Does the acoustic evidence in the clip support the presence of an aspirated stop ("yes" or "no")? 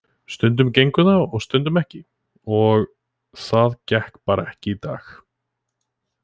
no